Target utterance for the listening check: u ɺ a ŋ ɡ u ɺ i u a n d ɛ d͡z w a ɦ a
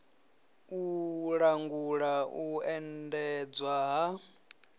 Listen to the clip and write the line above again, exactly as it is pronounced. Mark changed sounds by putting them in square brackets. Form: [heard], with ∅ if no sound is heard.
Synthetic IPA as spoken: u ɺ a ŋ ɡ u ɺ [a] u [ɛ] n d ɛ d͡z w a ɦ a